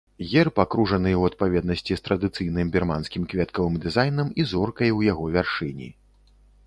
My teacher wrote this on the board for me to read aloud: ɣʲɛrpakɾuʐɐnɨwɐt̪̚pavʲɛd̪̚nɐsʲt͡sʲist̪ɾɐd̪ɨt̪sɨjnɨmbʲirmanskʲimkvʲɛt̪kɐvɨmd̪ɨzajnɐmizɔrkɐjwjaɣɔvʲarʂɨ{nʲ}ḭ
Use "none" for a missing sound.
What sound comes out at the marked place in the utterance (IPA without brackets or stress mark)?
nʲ